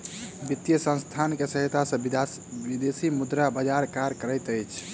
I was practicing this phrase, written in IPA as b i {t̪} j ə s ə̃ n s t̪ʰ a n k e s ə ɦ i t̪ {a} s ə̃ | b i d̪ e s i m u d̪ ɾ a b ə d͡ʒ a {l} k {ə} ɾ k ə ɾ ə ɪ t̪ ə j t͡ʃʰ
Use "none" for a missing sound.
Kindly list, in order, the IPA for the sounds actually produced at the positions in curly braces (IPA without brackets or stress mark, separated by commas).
t̪, a, ɾ, a